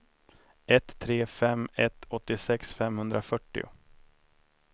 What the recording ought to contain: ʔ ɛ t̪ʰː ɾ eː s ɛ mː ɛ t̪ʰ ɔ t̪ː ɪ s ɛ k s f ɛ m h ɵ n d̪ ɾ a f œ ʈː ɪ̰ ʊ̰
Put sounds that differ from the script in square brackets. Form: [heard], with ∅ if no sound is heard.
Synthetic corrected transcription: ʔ ɛ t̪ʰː ɾ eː [f] ɛ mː ɛ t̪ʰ ɔ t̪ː ɪ s ɛ k s f ɛ m h ɵ n d̪ ɾ a f œ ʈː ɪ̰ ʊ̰